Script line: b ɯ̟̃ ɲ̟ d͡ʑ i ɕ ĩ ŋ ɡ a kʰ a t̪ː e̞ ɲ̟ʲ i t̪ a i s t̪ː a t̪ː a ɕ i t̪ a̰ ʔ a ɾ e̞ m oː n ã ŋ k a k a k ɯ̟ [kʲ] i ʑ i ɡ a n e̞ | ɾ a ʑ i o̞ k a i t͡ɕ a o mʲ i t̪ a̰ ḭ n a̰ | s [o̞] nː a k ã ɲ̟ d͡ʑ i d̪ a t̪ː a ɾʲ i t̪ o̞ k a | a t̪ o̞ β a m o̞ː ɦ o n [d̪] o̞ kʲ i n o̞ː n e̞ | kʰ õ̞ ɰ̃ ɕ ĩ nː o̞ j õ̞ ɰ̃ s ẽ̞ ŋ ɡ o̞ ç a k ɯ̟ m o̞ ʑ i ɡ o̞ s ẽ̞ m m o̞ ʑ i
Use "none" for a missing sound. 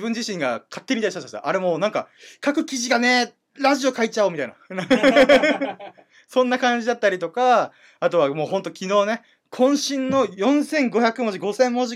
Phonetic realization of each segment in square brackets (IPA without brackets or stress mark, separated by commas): kʲ, õ̞, t̪